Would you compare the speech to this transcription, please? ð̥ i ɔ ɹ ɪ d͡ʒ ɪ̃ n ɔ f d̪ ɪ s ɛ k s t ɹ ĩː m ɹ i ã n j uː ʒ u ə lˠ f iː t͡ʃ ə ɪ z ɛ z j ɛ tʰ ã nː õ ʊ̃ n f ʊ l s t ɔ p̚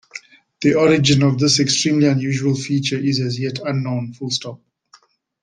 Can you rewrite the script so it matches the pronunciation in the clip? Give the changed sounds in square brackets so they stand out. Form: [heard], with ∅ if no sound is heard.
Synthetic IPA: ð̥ i ɔ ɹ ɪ d͡ʒ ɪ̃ n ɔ [v] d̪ ɪ s ɛ k s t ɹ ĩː m [l] i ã n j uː ʒ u ə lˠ f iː t͡ʃ ə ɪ z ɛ z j ɛ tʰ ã nː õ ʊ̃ n f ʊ l s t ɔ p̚